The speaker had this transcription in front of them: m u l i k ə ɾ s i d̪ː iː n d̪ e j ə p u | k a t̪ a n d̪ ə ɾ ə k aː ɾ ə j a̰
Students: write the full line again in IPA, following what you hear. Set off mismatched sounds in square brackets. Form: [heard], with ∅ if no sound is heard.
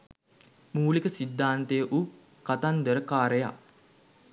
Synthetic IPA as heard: m [uː] l i k ə [∅] s i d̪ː [aː] n [t̪] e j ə [ʔ] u | k a t̪ a n d̪ ə ɾ ə k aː ɾ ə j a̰